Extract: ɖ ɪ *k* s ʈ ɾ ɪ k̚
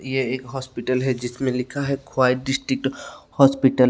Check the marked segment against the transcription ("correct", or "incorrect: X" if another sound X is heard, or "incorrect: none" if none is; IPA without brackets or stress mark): incorrect: none